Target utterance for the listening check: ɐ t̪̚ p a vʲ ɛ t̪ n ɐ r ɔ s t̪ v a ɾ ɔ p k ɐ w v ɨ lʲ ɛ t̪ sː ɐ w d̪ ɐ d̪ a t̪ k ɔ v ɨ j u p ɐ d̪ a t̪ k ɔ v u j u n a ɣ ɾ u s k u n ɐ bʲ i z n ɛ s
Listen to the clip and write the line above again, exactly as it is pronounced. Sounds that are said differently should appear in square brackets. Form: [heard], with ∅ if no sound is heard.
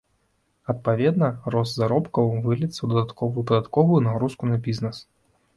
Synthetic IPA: ɐ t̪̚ p a vʲ ɛ [d̪] n ɐ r ɔ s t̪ [z] a ɾ ɔ p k ɐ w v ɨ lʲ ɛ t̪ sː ɐ w d̪ ɐ d̪ a t̪ k ɔ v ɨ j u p ɐ d̪ a t̪ k ɔ v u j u n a ɣ ɾ u s k u n ɐ bʲ i z n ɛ s